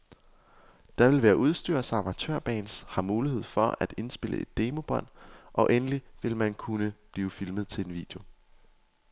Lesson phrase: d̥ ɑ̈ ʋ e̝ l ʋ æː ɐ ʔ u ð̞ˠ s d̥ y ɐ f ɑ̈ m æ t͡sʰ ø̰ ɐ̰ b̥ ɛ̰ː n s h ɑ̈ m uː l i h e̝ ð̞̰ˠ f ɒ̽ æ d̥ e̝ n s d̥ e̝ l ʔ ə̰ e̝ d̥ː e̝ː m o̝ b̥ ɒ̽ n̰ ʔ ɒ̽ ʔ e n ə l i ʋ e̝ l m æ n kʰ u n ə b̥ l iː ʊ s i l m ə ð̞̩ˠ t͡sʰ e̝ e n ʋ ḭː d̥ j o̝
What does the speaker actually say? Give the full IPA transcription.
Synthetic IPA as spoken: d̥ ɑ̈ ʋ e̝ l ʋ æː ɐ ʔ u ð̞ˠ s d̥ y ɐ s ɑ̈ m æ t͡sʰ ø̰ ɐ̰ b̥ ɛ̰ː n s h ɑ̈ m uː l i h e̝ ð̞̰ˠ f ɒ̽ æ d̥ e̝ n s b̥ e̝ l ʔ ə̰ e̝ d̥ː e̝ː m o̝ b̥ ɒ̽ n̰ ʔ ɒ̽ ʔ e n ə l i ʋ e̝ l m æ n kʰ u n ə b̥ l iː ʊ f i l m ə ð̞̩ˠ t͡sʰ e̝ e n ʋ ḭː d̥ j o̝